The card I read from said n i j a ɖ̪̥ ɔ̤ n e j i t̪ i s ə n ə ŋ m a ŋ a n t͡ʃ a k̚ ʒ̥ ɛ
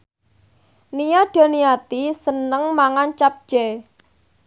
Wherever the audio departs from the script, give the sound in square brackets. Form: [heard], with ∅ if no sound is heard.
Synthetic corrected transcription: n i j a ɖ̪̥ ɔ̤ n [i] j [a] t̪ i s ə n ə ŋ m a ŋ a n t͡ʃ a [p̚] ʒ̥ ɛ

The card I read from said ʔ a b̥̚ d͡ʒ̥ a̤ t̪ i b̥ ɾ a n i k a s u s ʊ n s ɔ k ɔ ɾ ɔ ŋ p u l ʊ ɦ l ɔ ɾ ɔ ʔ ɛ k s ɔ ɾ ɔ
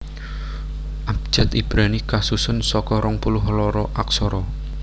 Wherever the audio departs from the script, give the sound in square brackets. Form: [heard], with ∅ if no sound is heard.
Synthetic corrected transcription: ʔ a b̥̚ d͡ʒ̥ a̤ t̪ i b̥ ɾ a n i k a s u s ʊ n s ɔ k ɔ ɾ ɔ ŋ p u l ʊ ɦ l ɔ ɾ ɔ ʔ [a] k s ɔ ɾ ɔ

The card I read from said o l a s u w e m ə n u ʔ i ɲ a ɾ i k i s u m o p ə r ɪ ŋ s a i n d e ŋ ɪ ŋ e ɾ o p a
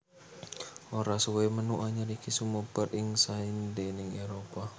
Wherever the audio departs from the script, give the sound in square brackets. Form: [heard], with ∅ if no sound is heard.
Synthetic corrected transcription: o [ɾ] a s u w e m ə n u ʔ [a] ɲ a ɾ i k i s u m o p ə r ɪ ŋ s a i n d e [n] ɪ ŋ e ɾ o p a

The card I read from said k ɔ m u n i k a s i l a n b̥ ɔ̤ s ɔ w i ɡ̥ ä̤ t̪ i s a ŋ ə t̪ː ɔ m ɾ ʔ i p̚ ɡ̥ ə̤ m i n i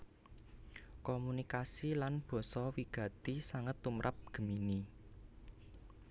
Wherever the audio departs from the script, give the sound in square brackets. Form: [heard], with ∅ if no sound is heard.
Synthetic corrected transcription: k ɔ m u n i k a s i l a n b̥ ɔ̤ s ɔ w i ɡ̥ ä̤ t̪ i s a ŋ ə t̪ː [u] m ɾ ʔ [a] p̚ ɡ̥ ə̤ m i n i

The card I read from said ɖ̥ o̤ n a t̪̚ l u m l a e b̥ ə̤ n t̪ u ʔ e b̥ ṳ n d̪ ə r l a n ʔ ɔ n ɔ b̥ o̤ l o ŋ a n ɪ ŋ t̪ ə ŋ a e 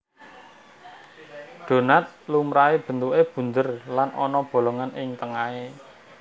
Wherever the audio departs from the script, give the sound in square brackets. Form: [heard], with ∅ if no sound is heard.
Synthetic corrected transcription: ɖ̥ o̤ n a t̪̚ l u m [ɾ] a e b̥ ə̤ n t̪ u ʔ e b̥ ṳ n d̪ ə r l a n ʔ ɔ n ɔ b̥ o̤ l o ŋ a n ɪ ŋ t̪ ə ŋ a e

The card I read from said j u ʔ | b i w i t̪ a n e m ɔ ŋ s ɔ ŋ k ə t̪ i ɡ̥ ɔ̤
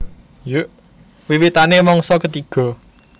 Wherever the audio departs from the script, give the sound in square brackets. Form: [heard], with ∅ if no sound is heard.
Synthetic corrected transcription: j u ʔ | [w] i w i t̪ a n e m ɔ ŋ s ɔ [∅] k ə t̪ i ɡ̥ ɔ̤

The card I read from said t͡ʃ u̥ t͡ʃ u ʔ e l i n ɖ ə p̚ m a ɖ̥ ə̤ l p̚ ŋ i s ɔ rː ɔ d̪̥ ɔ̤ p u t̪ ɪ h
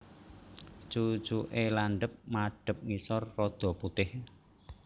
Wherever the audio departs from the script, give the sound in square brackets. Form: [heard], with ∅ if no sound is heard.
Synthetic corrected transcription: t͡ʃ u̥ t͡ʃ u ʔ e l [a] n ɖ ə p̚ m a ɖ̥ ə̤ [∅] p̚ ŋ i s ɔ rː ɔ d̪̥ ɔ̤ p u t̪ ɪ h

